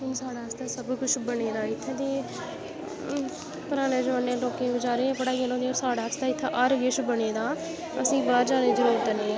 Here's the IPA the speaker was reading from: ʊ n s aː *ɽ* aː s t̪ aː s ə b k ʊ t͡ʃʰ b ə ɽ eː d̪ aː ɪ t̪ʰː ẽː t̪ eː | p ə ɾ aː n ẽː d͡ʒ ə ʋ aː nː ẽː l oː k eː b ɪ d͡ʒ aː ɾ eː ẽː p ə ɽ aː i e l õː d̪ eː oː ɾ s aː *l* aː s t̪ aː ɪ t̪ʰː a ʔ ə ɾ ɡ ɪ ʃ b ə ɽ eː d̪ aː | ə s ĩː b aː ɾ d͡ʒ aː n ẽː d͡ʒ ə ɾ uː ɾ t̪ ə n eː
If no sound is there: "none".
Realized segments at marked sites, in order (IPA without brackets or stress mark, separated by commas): ɽ, ɽ